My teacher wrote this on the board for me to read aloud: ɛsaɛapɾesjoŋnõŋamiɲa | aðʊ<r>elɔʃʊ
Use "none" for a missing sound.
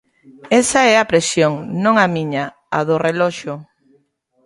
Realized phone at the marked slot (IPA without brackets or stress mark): r